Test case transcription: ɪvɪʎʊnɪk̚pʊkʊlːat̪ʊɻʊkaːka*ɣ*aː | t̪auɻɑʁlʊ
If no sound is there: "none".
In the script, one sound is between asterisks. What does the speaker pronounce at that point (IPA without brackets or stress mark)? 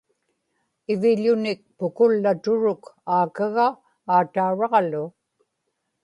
ɣ